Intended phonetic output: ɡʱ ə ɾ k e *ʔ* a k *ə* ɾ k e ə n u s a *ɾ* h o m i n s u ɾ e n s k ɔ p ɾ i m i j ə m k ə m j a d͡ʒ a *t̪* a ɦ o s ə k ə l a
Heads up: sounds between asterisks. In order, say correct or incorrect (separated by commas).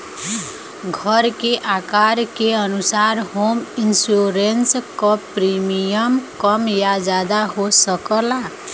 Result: correct, incorrect, correct, incorrect